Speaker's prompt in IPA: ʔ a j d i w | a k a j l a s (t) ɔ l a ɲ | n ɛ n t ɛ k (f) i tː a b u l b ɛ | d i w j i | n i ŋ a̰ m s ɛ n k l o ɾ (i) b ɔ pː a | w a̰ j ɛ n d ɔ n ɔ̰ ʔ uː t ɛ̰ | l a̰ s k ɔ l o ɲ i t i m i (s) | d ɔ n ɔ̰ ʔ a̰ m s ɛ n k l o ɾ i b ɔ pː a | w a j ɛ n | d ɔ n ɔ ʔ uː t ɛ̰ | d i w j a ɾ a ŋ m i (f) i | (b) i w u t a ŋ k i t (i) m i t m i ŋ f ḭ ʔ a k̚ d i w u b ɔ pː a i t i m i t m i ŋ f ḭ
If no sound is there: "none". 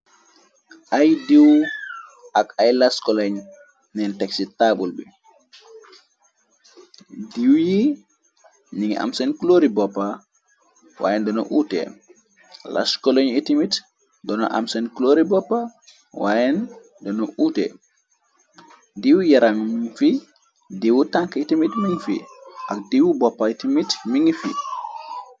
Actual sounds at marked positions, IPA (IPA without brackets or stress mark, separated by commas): k, s, i, t, f, d, i